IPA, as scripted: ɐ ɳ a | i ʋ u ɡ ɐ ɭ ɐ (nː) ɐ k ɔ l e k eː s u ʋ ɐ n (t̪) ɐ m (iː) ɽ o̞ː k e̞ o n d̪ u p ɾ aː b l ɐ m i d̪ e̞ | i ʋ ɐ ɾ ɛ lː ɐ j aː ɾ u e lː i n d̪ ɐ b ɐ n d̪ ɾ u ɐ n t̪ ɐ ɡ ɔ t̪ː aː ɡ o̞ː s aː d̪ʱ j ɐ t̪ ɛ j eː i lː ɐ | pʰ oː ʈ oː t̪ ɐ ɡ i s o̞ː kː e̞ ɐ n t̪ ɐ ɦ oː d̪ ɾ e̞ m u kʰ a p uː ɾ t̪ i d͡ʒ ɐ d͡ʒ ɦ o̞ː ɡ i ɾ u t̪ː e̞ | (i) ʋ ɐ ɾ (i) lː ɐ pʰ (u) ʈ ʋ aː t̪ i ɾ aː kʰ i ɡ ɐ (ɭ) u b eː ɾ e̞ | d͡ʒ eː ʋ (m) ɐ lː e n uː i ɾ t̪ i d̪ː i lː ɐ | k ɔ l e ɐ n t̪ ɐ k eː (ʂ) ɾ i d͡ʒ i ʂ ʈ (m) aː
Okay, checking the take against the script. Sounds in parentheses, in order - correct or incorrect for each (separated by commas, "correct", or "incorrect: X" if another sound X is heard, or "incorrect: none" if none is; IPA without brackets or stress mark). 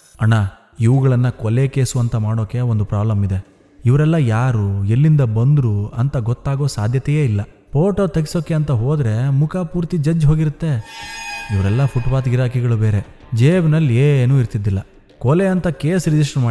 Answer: correct, correct, incorrect: aː, correct, incorrect: ɛ, correct, correct, incorrect: n, incorrect: s, correct